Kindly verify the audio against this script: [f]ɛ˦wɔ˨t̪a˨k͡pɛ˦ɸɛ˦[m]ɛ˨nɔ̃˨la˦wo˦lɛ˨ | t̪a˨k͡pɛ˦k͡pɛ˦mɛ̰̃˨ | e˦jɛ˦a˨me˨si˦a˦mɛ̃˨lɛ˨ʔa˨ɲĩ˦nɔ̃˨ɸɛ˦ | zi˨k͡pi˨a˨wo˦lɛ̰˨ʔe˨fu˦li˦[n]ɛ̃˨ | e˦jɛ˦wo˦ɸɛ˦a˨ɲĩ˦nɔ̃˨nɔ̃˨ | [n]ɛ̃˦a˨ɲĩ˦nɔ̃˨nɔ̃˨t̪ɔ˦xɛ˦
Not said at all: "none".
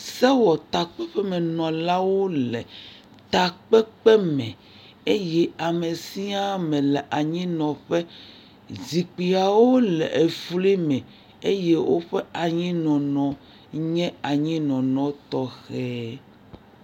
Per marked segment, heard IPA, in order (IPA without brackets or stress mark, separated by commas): s, m, m, ɲ